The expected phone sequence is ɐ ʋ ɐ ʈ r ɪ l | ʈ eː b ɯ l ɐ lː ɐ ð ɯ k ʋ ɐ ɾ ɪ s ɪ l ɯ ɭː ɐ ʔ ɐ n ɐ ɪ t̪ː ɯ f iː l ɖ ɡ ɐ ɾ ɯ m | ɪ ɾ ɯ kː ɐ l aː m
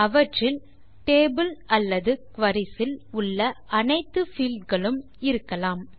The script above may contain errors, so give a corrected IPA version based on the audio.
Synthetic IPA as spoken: ɐ ʋ ɐ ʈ r ɪ l | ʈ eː b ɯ l ɐ lː ɐ ð ɯ k ʋ ɐ ɾ ɪ s ɪ l ʊ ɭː ɐ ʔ ɐ n ɐ ɪ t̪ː ɯ f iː l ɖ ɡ ɐ ɭ ɯ m | ɪ ɾ ɯ kː ɐ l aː m